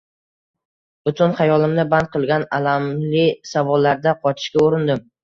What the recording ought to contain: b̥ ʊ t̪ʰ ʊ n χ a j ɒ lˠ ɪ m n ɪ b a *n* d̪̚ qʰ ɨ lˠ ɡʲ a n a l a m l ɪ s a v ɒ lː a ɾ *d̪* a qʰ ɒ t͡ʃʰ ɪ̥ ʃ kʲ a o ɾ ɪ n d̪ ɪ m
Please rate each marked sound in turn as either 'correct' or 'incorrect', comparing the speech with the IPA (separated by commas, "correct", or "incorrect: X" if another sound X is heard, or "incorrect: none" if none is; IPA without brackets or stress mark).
correct, correct